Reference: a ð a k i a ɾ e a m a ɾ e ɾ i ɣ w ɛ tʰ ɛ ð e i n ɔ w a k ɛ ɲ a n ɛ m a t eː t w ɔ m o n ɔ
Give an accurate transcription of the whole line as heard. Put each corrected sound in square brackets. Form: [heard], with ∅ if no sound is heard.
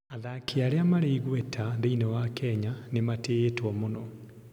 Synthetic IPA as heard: a ð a k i a ɾ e a m a ɾ e [∅] i ɣ w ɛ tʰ [a] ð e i n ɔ w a k ɛ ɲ a n [e] m a t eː t w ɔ m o n ɔ